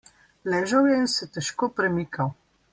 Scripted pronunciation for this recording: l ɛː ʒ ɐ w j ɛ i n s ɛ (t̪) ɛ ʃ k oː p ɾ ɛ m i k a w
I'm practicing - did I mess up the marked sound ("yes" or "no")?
no